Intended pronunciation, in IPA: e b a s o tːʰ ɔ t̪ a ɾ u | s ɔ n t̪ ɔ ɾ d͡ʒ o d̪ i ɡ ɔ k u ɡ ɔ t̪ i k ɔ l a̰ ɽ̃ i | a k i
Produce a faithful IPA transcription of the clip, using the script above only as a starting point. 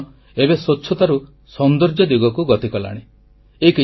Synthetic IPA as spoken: e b e s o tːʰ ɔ t̪ a ɾ u | s ɔ n d̪ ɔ ɾ d͡ʒ ɔ d̪ i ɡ ɔ k u ɡ ɔ t̪ i k ɔ l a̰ ɽ̃ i | e k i